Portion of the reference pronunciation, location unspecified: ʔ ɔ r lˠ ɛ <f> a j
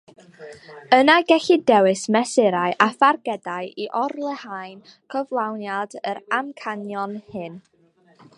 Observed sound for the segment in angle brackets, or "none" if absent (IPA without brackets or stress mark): h